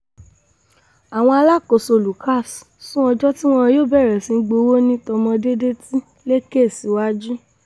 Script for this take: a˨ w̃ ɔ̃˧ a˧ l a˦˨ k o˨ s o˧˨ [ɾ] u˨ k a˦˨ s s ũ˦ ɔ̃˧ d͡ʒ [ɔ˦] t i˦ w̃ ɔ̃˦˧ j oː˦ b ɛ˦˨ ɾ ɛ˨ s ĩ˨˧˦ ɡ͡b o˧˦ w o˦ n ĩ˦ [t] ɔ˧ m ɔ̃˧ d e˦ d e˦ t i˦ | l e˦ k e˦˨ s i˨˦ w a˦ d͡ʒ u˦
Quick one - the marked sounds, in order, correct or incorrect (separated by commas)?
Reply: incorrect, correct, correct